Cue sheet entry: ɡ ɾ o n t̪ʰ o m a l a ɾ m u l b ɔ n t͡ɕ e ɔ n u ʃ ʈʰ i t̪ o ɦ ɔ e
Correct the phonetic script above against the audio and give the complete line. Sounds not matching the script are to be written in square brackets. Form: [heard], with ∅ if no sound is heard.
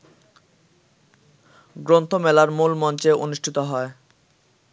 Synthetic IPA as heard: ɡ ɾ o n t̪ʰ o m [ɛ] l a ɾ m u l [m] ɔ n t͡ɕ e [o] n u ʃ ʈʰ i t̪ o ɦ ɔ e